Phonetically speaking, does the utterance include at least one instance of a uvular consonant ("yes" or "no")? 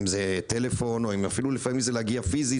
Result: no